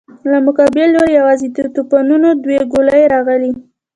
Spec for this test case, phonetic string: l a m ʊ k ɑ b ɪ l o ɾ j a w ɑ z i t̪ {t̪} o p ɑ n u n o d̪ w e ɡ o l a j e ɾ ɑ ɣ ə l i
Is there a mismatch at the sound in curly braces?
no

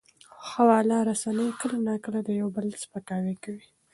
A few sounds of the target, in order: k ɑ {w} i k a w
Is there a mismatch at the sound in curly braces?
no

